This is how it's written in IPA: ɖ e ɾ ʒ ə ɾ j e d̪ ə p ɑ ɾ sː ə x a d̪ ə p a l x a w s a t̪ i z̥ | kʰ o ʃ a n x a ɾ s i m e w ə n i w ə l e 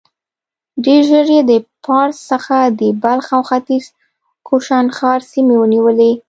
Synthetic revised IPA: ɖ e ɾ ʒ ə ɾ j e d̪ ə p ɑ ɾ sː ə x a d̪ ə b a l x a w x a t̪ i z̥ | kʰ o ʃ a n x ɑ ɾ s i m e w ə n i w ə l e